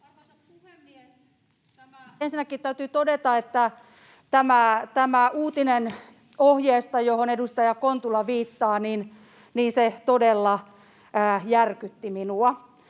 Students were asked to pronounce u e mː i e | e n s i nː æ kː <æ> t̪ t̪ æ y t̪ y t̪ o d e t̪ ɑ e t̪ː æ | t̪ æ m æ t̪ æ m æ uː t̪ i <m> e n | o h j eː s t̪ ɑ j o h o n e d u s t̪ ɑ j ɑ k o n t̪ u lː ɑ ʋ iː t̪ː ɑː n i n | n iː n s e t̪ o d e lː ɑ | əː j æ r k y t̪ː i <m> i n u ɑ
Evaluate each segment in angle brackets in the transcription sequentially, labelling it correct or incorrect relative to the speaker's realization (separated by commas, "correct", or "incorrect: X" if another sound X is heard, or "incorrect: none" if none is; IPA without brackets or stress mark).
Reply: incorrect: i, incorrect: n, correct